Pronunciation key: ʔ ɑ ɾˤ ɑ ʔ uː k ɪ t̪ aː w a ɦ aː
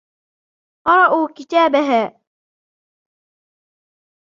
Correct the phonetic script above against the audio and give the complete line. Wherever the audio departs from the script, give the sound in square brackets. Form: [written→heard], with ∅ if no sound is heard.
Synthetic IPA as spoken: [ʔ→q] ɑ ɾˤ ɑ ʔ uː k ɪ t̪ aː [w→b] a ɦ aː